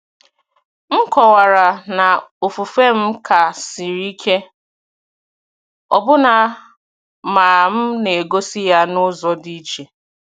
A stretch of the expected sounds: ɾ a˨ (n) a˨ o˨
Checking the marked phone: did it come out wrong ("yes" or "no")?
no